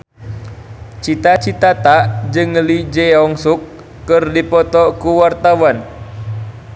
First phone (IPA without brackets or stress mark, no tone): t͡ʃ